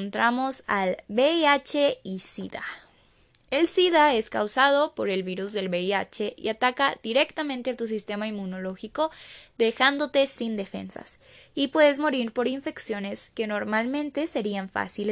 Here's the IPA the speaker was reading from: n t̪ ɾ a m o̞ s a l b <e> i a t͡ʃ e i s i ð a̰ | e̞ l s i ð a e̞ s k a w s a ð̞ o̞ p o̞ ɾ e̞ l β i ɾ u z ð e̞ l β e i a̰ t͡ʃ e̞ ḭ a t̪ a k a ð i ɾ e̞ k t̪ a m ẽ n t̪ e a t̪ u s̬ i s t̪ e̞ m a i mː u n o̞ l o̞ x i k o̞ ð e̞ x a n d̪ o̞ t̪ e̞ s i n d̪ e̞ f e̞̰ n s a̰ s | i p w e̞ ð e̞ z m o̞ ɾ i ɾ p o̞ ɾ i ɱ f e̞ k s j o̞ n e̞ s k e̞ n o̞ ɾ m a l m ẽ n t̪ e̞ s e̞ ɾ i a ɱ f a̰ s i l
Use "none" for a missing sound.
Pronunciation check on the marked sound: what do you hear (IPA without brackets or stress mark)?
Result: e